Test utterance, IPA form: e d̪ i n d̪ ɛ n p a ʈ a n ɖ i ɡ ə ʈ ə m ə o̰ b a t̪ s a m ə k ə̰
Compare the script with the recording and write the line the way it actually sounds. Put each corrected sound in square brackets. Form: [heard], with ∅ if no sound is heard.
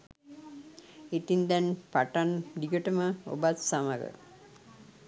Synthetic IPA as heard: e [t̪] i n d̪ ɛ n p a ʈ a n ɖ i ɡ ə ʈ ə m ə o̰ b a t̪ s a m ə [ɡ] ə̰